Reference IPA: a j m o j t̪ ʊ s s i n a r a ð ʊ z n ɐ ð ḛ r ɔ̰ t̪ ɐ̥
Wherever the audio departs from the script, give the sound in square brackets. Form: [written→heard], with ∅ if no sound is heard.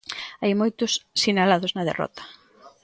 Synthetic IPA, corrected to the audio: a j m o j t̪ ʊ s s i n a [r→l] a ð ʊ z n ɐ ð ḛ r ɔ̰ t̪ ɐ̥